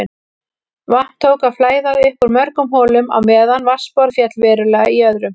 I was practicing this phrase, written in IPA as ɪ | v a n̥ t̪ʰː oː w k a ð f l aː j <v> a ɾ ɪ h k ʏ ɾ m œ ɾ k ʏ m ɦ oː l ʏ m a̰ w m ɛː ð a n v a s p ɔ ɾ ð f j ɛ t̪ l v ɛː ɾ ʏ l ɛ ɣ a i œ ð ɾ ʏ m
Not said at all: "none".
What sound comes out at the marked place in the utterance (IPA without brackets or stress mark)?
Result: ð